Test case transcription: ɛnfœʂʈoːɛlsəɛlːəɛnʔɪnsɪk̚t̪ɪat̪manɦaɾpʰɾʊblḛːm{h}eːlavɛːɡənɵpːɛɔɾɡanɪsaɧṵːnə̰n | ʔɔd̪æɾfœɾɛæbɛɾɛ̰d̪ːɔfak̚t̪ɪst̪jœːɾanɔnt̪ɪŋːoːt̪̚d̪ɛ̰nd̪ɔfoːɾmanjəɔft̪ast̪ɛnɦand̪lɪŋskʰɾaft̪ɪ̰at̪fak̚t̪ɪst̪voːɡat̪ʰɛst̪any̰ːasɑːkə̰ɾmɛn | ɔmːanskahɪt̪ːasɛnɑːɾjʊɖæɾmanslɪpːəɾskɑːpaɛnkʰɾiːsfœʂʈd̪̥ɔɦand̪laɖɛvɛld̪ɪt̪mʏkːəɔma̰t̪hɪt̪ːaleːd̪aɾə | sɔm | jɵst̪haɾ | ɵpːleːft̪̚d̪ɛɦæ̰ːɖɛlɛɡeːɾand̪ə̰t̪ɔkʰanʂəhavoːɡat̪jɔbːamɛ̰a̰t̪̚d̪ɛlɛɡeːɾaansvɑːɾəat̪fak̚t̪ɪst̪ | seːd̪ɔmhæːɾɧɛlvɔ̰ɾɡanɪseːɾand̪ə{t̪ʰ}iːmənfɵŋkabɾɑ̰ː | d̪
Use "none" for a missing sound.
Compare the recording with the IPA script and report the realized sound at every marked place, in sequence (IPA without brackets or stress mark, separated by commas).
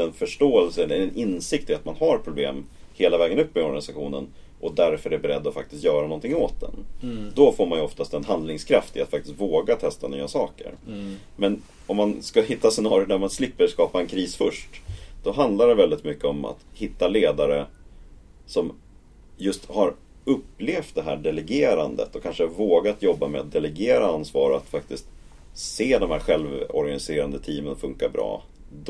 h, t̪ʰ